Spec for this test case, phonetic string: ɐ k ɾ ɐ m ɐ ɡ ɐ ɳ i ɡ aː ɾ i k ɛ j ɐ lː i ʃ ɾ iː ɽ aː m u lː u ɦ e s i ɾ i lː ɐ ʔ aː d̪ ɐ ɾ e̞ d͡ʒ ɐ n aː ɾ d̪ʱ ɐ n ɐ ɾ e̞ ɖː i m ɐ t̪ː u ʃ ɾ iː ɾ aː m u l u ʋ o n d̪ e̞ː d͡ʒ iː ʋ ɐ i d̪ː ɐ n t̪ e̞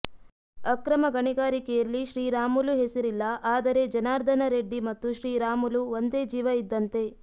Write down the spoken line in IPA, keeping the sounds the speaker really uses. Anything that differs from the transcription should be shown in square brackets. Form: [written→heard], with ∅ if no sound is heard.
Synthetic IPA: ɐ k ɾ ɐ m ɐ ɡ ɐ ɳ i ɡ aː ɾ i k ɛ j ɐ lː i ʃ ɾ iː [ɽ→ɾ] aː m u [lː→l] u ɦ e s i ɾ i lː ɐ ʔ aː d̪ ɐ ɾ e̞ d͡ʒ ɐ n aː ɾ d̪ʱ ɐ n ɐ ɾ e̞ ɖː i m ɐ t̪ː u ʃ ɾ iː ɾ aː m u l u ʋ o n d̪ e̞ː d͡ʒ iː ʋ ɐ i d̪ː ɐ n t̪ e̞

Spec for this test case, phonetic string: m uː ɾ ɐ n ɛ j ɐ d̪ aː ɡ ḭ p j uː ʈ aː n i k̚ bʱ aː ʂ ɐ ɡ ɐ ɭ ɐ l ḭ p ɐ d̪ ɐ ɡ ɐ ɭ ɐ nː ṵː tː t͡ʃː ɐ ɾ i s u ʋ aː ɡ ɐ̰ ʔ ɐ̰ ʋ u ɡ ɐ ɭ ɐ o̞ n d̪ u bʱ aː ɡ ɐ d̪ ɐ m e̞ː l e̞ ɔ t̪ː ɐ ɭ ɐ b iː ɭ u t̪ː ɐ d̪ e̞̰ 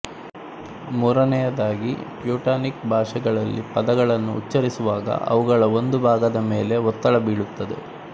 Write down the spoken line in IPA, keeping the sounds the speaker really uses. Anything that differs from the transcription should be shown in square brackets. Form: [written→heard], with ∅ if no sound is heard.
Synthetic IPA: m uː ɾ ɐ n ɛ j ɐ d̪ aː ɡ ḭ p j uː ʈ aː n i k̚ bʱ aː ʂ ɐ ɡ ɐ ɭ ɐ [l→lː] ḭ p ɐ d̪ ɐ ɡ ɐ ɭ ɐ nː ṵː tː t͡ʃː ɐ ɾ i s u ʋ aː ɡ ɐ̰ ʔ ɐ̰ ʋ u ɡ ɐ ɭ ɐ o̞ n d̪ u bʱ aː ɡ ɐ d̪ ɐ m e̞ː l e̞ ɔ t̪ː ɐ ɭ ɐ b iː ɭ u t̪ː ɐ d̪ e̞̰

